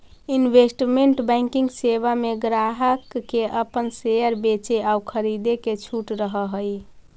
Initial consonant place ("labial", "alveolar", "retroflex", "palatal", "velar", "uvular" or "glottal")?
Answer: alveolar